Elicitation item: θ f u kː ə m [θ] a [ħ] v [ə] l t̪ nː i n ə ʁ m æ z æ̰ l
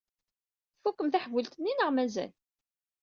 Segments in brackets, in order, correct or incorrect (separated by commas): correct, correct, correct